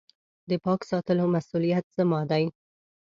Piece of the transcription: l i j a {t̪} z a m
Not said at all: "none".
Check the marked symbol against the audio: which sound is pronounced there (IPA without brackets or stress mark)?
t̪